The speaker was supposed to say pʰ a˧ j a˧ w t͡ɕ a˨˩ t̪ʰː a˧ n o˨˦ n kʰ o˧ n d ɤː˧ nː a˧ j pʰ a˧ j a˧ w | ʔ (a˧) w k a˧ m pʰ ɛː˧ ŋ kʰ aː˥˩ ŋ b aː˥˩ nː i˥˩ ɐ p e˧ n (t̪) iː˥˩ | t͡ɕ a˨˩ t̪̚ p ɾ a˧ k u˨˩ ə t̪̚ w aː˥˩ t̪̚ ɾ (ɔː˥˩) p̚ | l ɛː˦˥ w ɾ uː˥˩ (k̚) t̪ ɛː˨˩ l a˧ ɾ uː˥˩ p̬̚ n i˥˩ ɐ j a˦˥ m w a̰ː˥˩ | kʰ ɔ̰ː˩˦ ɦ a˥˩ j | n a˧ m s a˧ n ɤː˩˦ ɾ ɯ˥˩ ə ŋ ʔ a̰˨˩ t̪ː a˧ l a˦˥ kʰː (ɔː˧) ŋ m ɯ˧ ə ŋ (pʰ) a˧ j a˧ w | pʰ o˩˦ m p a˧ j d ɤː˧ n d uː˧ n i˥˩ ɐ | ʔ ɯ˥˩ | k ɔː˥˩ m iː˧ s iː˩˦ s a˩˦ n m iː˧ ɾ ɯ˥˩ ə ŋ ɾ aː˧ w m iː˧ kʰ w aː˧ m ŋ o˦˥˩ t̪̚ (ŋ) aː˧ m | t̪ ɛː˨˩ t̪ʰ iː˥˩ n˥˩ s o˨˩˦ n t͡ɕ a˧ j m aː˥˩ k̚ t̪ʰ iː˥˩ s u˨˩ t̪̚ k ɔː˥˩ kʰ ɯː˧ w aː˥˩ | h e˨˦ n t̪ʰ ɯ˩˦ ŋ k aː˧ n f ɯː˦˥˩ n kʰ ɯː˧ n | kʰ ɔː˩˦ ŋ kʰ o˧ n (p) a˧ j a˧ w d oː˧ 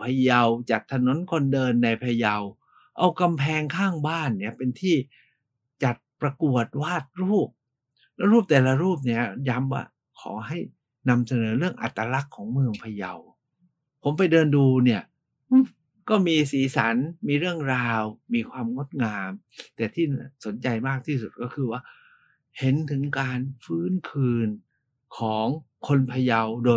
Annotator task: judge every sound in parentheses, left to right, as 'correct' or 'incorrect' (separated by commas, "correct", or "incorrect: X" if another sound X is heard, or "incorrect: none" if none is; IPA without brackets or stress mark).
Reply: correct, incorrect: t̪ʰ, incorrect: uː˥˩, incorrect: p̚, incorrect: ɔː˩˦, correct, correct, incorrect: pʰ